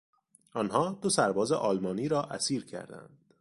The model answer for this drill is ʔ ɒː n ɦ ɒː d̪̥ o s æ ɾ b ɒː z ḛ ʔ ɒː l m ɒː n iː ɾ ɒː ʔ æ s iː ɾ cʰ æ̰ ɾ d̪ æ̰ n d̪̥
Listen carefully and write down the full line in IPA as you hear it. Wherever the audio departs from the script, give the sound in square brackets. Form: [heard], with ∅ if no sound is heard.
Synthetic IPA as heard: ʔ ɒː n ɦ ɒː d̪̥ o s æ ɾ b ɒː z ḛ ʔ ɒː l m ɒː n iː ɾ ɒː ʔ æ s iː ɾ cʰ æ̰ ɾ d̪ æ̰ n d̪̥